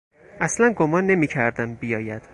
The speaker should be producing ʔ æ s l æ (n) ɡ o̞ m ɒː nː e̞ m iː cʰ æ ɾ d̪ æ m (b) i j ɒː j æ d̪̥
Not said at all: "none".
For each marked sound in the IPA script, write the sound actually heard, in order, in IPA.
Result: n, b

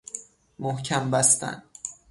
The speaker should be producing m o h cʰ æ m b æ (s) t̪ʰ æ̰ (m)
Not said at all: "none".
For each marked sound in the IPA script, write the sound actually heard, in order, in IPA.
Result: s, n

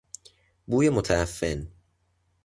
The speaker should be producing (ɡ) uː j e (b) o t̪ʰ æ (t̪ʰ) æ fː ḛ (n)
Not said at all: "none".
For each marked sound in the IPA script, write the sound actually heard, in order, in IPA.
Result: b, m, none, n

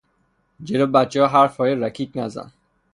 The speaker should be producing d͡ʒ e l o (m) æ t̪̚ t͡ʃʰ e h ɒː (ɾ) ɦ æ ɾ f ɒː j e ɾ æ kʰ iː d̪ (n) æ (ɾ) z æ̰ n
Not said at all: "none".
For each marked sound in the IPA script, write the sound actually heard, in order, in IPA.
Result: b, none, n, none

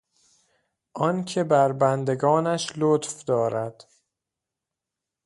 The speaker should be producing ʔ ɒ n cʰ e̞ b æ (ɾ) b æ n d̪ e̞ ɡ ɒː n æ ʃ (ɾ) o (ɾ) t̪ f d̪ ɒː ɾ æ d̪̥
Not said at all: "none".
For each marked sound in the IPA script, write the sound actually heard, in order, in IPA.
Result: ɾ, l, none

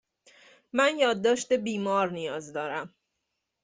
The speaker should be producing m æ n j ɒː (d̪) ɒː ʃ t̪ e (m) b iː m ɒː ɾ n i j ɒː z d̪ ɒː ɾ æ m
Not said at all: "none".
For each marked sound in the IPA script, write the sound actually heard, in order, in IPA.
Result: d̪ː, none

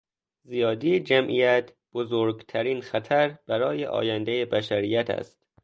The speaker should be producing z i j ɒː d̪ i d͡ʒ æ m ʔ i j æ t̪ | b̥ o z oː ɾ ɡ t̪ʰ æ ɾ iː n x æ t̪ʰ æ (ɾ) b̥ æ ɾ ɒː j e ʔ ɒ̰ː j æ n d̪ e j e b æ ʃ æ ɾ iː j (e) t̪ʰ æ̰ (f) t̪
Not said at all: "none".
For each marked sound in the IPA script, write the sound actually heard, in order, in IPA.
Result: ɾ, æ, s

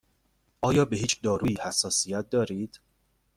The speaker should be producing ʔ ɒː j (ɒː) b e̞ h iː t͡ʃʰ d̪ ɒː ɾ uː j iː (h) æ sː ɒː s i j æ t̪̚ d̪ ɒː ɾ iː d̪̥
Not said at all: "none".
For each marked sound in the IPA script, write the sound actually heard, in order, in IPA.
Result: ɒː, h

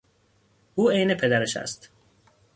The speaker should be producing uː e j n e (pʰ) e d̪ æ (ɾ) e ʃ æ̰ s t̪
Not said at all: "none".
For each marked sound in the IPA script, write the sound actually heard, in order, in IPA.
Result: pʰ, ɾ

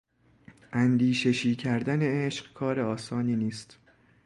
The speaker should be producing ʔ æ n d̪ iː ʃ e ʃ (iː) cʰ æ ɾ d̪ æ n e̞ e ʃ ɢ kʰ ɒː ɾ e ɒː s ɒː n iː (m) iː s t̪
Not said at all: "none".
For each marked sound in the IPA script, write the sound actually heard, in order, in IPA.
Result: iː, n

